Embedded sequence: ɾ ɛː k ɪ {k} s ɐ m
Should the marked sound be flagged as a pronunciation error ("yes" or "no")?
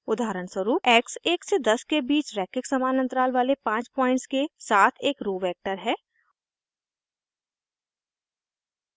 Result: no